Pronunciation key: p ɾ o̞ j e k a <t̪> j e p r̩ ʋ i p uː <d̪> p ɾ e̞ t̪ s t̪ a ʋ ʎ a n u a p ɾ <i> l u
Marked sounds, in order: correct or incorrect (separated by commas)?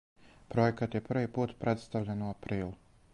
correct, incorrect, incorrect